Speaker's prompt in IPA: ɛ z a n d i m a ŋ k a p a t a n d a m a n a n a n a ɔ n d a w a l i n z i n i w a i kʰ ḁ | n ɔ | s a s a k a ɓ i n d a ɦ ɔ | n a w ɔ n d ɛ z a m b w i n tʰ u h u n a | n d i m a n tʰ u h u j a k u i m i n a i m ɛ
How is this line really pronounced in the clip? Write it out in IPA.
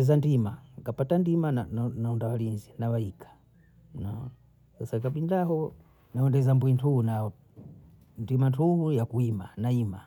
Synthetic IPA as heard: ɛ z a n d i m a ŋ k a p a t a n d i m a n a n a n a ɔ n d a w a l i n z i n a w a i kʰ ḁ | n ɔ | s a s a k a ɓ i n d a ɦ ɔ | n a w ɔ n d ɛ z a m b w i n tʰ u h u n a | n d i m a n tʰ u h u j a k u i m a n a i m a